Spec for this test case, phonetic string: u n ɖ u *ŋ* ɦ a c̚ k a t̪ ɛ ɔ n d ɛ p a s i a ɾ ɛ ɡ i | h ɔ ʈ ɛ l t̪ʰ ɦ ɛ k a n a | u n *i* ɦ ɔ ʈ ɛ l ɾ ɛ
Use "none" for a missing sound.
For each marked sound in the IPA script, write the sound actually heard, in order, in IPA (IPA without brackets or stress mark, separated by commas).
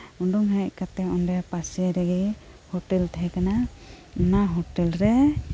ŋ, a